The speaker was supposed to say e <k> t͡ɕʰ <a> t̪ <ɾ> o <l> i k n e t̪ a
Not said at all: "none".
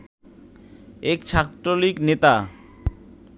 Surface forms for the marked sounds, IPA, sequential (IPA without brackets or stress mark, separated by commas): k, a, ɾ, l